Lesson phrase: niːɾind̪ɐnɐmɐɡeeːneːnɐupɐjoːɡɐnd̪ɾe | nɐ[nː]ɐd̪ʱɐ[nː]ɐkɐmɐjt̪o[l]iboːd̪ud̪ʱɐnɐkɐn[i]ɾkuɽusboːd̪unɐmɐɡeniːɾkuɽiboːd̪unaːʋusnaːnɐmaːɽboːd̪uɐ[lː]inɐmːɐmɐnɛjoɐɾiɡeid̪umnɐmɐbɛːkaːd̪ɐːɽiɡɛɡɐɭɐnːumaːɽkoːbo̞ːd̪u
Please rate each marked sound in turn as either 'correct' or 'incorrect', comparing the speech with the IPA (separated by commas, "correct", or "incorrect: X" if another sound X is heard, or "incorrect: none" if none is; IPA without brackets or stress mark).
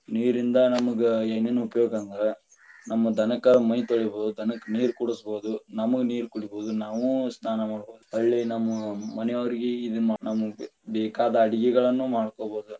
incorrect: mː, incorrect: n, incorrect: ɭ, incorrect: iː, incorrect: ɭː